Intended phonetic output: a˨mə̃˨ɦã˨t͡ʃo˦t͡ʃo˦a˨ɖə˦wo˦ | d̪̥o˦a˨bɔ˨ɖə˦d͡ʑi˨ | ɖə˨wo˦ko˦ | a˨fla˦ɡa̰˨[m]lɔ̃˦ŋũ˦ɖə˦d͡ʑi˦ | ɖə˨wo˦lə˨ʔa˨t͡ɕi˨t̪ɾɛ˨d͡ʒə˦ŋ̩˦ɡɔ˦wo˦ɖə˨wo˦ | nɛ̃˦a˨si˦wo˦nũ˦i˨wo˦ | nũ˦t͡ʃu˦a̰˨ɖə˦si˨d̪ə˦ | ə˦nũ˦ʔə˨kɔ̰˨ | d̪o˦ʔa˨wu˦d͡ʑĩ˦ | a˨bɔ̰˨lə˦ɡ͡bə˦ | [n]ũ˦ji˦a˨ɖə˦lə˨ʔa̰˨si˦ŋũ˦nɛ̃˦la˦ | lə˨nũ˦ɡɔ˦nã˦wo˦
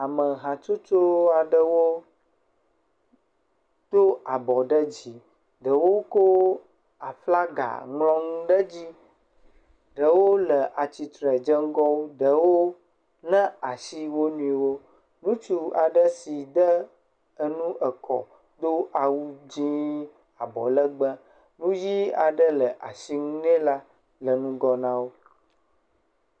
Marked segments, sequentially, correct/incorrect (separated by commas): incorrect, correct